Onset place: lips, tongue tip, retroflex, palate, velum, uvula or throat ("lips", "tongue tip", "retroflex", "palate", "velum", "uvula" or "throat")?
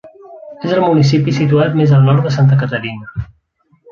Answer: tongue tip